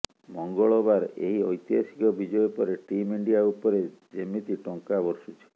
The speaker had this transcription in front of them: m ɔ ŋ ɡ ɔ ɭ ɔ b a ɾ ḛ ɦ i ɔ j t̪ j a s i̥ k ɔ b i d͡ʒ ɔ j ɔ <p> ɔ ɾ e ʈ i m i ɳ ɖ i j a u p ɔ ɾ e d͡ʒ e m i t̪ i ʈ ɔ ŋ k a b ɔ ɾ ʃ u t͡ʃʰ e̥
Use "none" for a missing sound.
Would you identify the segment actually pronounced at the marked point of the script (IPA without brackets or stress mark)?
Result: p